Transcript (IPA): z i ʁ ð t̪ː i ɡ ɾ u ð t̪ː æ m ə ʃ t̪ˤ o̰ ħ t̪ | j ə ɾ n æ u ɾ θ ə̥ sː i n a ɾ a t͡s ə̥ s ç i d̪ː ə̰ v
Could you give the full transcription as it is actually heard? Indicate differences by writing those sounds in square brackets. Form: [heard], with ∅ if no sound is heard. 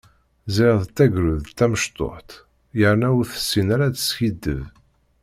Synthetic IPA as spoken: z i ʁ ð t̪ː [æ] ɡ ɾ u ð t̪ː æ m ə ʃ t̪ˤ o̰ ħ t̪ | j ə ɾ n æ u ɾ θ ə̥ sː i n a ɾ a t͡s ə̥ s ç i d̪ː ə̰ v